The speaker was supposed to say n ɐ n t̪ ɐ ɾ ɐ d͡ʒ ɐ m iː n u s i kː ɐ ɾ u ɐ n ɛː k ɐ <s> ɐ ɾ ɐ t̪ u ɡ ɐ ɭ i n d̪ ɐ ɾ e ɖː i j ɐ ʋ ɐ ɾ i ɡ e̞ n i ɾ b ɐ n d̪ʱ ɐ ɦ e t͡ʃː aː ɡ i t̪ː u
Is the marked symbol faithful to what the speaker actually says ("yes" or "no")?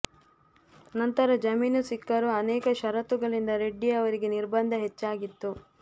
no